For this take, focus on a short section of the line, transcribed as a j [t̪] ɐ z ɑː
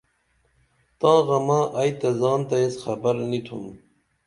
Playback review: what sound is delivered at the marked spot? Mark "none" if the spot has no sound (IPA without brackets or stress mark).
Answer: t̪